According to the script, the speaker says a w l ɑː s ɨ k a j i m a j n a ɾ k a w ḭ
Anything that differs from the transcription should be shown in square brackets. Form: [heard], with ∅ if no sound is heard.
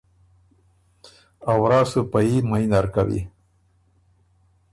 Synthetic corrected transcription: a w [ɾ] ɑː s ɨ [p] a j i m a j n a ɾ k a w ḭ